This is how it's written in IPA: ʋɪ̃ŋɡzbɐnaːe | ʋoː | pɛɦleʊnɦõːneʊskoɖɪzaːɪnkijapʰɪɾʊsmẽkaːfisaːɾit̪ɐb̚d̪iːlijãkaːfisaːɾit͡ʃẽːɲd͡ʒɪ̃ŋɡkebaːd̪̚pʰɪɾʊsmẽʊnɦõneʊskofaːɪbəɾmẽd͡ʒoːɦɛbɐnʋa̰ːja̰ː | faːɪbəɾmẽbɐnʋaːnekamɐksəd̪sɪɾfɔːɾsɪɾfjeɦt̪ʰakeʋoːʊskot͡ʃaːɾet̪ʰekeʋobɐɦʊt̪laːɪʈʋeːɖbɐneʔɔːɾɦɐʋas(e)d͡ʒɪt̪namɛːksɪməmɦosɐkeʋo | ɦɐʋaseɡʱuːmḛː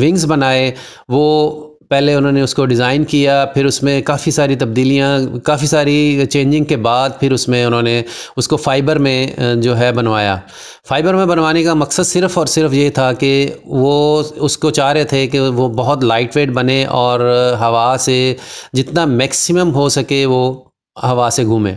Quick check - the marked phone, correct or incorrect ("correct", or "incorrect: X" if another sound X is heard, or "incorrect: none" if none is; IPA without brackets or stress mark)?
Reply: correct